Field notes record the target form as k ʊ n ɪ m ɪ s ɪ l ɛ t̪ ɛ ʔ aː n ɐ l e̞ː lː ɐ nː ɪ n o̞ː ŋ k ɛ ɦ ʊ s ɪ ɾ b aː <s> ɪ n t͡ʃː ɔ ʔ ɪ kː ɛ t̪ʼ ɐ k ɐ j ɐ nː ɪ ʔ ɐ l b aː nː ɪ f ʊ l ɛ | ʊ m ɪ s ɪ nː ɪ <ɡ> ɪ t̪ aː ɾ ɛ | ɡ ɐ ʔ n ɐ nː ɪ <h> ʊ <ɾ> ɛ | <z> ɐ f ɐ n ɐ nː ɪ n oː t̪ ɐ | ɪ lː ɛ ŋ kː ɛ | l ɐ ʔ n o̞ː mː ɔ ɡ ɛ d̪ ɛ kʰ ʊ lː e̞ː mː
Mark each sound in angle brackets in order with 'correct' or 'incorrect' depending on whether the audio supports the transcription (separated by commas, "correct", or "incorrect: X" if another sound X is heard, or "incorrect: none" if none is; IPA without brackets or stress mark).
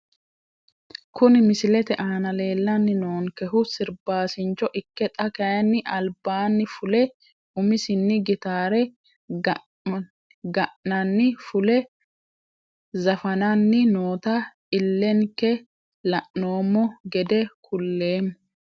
correct, correct, incorrect: f, incorrect: l, correct